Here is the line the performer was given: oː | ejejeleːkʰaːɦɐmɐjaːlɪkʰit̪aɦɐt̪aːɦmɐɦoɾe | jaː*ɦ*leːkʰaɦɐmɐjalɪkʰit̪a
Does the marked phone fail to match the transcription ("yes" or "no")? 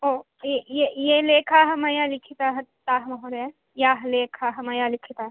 no